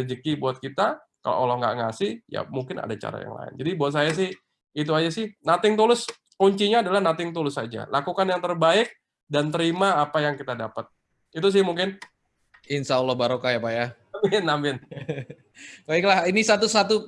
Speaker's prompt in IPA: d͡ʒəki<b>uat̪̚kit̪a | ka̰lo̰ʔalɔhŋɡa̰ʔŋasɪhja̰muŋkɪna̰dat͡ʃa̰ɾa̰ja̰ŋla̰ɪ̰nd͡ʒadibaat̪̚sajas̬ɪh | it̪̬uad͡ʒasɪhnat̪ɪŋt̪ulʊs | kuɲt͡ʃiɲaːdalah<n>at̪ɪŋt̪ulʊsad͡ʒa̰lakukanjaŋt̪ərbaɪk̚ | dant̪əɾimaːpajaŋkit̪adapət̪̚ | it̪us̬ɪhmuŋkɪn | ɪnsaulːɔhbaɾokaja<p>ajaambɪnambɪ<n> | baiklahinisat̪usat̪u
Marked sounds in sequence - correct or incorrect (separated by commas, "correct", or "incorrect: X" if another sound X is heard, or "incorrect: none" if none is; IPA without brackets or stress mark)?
correct, correct, correct, correct